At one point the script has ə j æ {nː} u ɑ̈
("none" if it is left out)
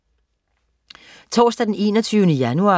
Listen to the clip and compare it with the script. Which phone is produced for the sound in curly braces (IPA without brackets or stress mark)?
n